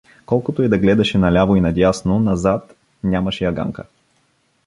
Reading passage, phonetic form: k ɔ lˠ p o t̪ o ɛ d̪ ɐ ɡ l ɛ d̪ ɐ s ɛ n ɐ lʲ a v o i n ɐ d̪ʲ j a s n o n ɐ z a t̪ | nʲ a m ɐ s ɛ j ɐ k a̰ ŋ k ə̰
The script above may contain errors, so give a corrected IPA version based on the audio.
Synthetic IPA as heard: k ɔ lˠ k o t̪ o ɛ d̪ ɐ ɡ l ɛ d̪ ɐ ʃ ɛ n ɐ lʲ a v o i n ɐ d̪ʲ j a s n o n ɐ z a t̪ | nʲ a m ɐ ʃ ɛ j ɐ ɡ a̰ ŋ k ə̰